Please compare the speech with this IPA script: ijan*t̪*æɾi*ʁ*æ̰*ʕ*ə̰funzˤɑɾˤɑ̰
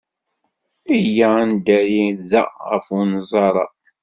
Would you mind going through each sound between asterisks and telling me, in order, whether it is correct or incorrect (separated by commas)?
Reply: incorrect, incorrect, incorrect